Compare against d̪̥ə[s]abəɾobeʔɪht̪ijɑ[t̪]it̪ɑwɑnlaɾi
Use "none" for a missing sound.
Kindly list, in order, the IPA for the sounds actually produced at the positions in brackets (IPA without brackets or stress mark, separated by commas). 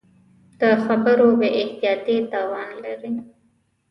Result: x, t̪